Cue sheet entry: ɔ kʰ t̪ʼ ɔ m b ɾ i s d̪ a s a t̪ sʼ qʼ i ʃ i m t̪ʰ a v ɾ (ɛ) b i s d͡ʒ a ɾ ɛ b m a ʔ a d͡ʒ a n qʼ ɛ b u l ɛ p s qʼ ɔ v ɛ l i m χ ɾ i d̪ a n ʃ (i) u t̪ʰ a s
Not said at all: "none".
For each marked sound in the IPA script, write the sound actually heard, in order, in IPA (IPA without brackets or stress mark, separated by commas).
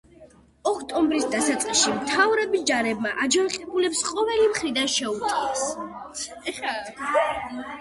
ɛ, ɛ